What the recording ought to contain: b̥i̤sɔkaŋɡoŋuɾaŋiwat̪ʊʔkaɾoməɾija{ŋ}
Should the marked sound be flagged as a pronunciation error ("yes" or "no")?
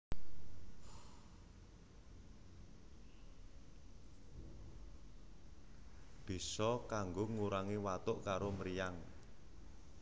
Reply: no